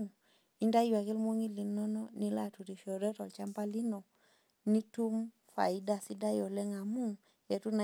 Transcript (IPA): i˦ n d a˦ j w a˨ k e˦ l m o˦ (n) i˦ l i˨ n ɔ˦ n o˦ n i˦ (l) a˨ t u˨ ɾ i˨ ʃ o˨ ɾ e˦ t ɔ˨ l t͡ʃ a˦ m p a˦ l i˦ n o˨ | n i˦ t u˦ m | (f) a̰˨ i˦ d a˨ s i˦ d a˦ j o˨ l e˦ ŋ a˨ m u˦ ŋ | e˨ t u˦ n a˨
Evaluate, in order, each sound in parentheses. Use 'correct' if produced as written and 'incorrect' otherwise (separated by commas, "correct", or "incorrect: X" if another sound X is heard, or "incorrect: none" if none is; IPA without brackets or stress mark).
incorrect: ŋ, correct, correct